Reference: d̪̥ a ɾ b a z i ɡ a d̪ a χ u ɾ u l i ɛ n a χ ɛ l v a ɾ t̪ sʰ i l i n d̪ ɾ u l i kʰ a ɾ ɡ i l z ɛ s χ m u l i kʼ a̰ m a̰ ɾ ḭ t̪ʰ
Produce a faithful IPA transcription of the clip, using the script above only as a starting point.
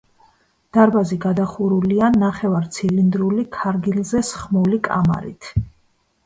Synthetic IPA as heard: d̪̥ a ɾ b a z i ɡ a d̪ a χ u ɾ u l i a n a χ ɛ v a ɾ t̪ sʰ i l i n d̪ ɾ u l i kʰ a ɾ ɡ i l z ɛ s χ m u l i kʼ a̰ m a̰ ɾ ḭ t̪ʰ